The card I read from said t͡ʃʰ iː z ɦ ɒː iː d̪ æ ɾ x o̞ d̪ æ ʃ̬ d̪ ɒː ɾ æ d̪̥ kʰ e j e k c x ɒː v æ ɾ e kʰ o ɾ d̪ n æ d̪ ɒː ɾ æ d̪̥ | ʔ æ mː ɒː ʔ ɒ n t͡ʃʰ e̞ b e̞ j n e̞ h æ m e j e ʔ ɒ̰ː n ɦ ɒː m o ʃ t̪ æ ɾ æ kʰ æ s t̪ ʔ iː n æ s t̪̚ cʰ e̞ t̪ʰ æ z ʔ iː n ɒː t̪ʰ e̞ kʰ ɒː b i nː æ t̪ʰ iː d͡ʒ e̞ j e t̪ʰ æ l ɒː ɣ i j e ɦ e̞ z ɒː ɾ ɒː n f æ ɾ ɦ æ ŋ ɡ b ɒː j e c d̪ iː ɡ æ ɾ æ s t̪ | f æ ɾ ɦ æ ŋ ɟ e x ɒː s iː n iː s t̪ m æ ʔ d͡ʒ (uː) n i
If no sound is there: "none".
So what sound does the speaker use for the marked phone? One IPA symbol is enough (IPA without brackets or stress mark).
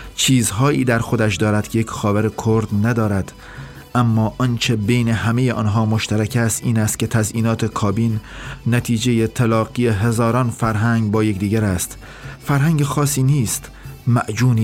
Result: uː